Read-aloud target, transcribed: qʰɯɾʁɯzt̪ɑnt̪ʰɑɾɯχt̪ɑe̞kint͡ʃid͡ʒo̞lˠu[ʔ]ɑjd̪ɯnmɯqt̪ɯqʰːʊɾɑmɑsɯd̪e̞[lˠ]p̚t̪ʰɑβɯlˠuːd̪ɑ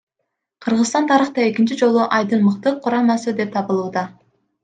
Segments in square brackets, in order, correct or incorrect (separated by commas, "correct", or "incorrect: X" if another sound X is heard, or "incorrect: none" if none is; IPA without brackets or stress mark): correct, incorrect: none